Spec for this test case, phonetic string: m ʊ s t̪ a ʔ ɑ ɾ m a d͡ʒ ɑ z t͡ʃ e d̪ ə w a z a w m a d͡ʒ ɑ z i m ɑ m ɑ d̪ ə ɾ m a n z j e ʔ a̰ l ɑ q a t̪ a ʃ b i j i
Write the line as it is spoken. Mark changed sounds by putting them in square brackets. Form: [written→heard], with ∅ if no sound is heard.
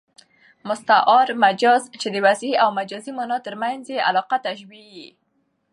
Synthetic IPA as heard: m ʊ s t̪ a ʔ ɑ ɾ m a d͡ʒ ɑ z t͡ʃ e d̪ ə w a z a w m a d͡ʒ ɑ z i m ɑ [m→n] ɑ [d̪→t̪] ə ɾ m a n z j e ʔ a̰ l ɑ q a t̪ a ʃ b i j i